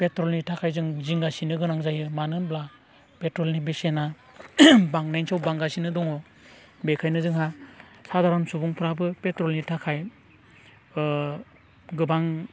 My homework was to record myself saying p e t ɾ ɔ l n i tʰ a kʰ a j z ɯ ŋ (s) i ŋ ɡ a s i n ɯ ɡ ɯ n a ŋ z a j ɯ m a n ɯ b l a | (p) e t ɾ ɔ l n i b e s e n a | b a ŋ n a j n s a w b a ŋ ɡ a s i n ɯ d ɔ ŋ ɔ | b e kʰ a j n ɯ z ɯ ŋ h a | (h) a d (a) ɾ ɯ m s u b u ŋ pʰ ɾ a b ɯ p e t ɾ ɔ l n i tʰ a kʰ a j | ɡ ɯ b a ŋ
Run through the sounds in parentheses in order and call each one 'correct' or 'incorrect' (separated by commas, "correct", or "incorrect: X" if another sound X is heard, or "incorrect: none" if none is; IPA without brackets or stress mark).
incorrect: z, correct, incorrect: s, correct